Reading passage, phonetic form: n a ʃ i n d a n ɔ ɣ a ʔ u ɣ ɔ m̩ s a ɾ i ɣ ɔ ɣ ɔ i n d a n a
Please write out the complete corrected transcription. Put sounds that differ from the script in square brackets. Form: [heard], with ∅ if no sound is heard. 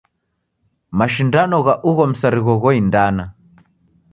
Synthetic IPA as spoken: [m] a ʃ i n d a n ɔ ɣ a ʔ u ɣ ɔ m̩ s a ɾ i ɣ ɔ ɣ ɔ i n d a n a